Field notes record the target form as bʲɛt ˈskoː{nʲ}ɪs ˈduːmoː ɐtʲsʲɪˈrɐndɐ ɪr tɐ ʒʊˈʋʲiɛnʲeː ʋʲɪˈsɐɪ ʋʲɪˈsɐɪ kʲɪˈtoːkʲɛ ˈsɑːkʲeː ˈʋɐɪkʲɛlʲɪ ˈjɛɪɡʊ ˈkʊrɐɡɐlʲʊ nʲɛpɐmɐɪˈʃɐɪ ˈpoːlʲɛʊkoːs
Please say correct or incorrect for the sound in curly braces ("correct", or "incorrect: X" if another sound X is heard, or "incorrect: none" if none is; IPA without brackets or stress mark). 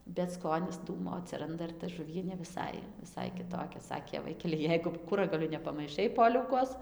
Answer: correct